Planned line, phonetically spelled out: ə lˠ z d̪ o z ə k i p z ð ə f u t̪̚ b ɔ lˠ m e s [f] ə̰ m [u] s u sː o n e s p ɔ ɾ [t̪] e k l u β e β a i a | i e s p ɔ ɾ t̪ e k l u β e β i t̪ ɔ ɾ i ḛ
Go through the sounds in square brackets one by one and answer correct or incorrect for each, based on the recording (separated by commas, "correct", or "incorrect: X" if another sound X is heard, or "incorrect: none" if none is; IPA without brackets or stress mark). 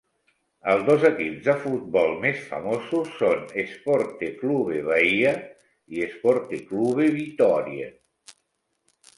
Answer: correct, incorrect: o, correct